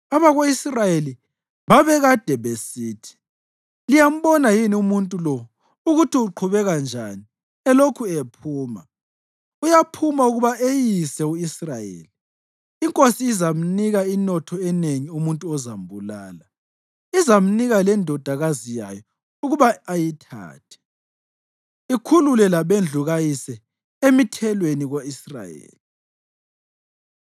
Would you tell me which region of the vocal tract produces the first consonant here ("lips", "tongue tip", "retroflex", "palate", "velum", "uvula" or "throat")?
lips